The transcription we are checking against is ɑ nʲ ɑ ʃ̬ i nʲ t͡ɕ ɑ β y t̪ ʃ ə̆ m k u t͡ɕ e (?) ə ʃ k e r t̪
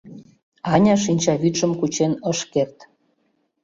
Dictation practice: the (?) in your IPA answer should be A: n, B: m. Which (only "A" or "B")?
A